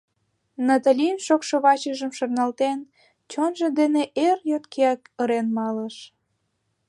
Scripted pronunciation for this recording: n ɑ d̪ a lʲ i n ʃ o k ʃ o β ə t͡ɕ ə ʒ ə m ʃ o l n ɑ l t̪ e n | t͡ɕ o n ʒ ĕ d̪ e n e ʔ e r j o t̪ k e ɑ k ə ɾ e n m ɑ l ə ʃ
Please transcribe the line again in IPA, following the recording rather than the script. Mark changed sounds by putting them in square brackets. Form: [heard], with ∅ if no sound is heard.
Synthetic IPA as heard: n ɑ [t̪] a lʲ i n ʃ o k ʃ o β [ɑ] t͡ɕ ə ʒ ə m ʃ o [r] n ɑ l t̪ e n | t͡ɕ o n ʒ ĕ d̪ e n e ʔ e r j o t̪ k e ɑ k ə ɾ e n m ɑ l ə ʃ

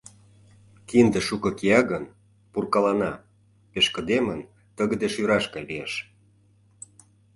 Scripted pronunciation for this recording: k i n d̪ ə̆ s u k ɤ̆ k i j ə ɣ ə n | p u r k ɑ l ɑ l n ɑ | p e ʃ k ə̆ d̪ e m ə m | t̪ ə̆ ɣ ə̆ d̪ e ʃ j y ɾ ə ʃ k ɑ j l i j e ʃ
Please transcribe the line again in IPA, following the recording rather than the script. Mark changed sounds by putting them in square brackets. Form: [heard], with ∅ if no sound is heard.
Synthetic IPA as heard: k i n d̪ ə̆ [ʃ] u k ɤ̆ k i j [ɑ] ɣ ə n | p u r k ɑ l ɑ [∅] n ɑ | p e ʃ k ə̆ d̪ e m ə [n] | t̪ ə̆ ɣ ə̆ d̪ e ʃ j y ɾ [ɑ] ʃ k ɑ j l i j e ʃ

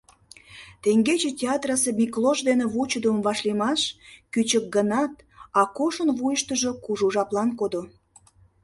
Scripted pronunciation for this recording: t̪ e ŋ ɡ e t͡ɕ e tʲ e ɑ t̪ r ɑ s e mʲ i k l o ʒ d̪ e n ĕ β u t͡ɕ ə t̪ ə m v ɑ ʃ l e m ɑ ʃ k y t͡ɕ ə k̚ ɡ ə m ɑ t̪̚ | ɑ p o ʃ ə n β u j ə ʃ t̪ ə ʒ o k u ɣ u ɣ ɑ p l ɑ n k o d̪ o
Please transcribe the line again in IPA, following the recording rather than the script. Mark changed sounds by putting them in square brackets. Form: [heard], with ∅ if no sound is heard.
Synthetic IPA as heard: t̪ e ŋ ɡ e t͡ɕ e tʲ e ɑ t̪ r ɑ s e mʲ i k l o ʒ d̪ e n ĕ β u t͡ɕ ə [d̪] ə m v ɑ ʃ l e m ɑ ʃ k y t͡ɕ ə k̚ ɡ ə [n] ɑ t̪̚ | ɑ [k] o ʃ ə n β u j ə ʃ t̪ ə ʒ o k u [ʒ] u [ʒ] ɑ p l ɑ n k o d̪ o

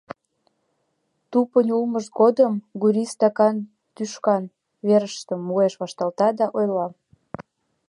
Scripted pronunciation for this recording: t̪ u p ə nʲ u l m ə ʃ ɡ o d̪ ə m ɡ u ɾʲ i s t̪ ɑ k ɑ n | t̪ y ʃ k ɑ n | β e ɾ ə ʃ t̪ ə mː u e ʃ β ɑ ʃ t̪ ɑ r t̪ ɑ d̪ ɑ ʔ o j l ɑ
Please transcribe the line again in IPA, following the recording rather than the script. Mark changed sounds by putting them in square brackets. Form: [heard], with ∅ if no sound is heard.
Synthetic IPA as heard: t̪ u p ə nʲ u l m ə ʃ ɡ o d̪ ə m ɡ u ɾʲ i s t̪ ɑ k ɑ n | t̪ y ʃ k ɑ n | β e ɾ ə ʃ t̪ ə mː u e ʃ β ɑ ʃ t̪ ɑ [l] t̪ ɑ d̪ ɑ ʔ o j l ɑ

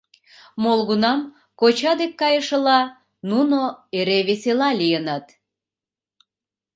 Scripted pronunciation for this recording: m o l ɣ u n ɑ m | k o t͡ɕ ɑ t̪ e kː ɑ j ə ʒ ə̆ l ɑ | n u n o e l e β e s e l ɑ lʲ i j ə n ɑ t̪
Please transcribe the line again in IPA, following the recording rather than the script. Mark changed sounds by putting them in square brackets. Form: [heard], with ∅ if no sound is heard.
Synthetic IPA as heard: m o l ɣ u n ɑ m | k o t͡ɕ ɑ [d̪] e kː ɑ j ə [ʃ] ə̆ l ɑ | n u n o e [ɾ] e β e s e l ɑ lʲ i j ə n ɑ t̪

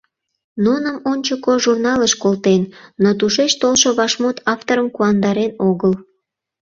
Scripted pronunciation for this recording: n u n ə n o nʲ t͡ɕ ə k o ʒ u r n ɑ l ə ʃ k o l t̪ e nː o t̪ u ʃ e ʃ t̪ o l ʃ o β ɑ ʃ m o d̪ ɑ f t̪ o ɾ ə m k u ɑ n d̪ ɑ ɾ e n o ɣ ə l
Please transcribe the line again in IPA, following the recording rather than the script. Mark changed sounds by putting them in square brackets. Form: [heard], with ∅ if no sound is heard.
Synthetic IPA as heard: n u n ə [m] o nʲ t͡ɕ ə k o ʒ u r n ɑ l ə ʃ k o l t̪ e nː o t̪ u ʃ e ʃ t̪ o l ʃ o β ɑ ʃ m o [t̪] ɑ f t̪ o ɾ ə m k u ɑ n d̪ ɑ ɾ e n o ɣ ə l

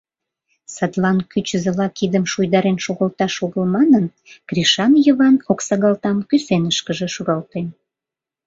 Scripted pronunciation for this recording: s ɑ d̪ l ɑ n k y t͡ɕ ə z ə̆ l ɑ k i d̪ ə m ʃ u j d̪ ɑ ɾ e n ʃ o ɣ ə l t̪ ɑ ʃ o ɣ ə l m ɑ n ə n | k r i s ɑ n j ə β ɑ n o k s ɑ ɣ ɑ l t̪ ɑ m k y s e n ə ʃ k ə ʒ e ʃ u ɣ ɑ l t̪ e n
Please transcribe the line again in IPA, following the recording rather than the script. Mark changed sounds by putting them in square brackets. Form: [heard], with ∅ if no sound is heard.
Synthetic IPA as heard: s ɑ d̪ l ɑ n k y t͡ɕ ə z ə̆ l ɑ k i d̪ ə m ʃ u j d̪ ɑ ɾ e n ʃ o ɣ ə l t̪ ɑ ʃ o ɣ ə l m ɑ n ə n | k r i [ʃ] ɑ n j ə β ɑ n o k s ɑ ɣ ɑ l t̪ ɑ m k y s e n ə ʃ k ə ʒ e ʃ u ɣ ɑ l t̪ e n

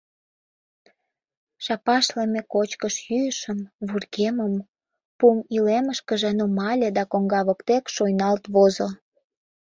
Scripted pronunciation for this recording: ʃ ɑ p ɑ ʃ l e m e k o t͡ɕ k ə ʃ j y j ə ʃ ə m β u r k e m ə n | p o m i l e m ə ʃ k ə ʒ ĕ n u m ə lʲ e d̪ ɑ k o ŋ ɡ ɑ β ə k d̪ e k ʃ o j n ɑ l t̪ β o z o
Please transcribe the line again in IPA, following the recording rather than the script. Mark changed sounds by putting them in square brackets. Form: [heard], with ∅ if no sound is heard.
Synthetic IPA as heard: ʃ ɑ p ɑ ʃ l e m e k o t͡ɕ k ə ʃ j y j ə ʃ ə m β u r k e m ə [m] | p [u] m i l e m ə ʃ k ə ʒ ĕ n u m [ɑ] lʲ e d̪ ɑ k o ŋ ɡ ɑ β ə k [t̪] e k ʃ o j n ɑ l t̪ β o z o

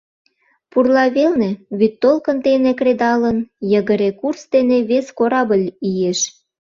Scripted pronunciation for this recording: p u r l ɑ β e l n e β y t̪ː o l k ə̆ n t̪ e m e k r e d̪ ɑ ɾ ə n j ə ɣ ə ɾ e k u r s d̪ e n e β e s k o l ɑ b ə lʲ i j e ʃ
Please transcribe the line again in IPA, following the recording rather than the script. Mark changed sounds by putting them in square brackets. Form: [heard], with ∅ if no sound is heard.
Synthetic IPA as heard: p u r l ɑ β e l n e β y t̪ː o l k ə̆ n t̪ e [n] e k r e d̪ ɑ [l] ə n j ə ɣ ə ɾ e k u r s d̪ e n e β e s k o [ɾ] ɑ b ə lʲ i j e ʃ

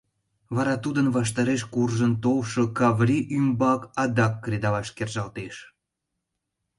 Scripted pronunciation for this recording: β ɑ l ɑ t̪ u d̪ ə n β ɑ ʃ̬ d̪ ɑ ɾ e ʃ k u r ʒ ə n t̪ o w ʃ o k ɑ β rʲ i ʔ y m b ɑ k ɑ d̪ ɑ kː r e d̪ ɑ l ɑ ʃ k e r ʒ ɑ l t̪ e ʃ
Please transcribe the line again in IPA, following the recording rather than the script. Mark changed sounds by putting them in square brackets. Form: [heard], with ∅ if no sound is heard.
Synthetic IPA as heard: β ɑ [ɾ] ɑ t̪ u d̪ ə n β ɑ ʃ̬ [t̪] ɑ ɾ e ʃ k u r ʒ ə n t̪ o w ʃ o k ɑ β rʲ i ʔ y m b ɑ k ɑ d̪ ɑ kː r e d̪ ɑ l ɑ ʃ k e r ʒ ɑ l t̪ e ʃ

